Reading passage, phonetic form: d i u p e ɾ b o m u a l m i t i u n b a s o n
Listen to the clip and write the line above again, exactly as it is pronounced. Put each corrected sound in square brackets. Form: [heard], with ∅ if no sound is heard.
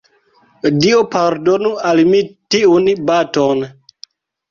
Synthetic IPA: d i [o] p [a] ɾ [d] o [n] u a l m i t i u n b a [t] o n